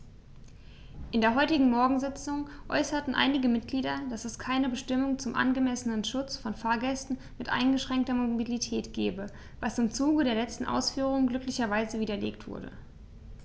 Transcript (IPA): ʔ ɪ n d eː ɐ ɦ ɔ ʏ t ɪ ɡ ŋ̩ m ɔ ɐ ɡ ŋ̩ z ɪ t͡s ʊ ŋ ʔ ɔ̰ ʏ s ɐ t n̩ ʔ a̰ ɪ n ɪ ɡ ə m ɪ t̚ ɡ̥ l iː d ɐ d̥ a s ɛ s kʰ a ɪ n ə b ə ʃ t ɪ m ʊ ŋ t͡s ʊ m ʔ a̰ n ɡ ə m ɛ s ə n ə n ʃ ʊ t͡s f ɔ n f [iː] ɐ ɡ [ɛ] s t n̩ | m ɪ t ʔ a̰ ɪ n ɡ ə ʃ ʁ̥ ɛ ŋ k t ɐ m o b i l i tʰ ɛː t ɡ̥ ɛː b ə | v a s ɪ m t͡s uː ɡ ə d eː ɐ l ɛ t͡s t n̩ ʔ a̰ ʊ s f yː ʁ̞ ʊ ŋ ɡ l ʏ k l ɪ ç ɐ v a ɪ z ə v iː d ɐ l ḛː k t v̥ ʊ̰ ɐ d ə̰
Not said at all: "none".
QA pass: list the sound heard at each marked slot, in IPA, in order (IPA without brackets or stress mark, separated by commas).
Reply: aː, ɛ